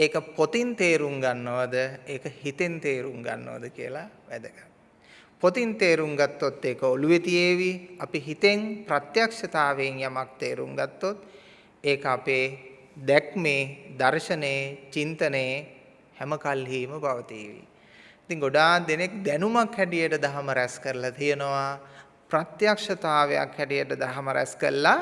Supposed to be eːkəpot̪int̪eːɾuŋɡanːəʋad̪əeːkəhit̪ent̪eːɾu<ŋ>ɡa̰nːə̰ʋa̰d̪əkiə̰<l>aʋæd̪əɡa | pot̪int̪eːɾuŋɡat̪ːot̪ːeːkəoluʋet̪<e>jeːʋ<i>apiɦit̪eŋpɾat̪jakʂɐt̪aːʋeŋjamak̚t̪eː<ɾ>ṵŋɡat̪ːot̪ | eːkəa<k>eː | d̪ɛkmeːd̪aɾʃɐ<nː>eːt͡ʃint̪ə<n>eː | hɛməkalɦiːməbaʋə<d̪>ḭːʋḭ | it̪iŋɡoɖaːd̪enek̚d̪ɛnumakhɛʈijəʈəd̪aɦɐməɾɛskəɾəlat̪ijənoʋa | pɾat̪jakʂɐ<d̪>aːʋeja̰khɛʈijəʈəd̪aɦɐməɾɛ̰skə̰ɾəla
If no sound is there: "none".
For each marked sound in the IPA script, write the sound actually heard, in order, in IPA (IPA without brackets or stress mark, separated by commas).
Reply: ŋ, l, i, i, ɾ, p, n, n, t̪, t̪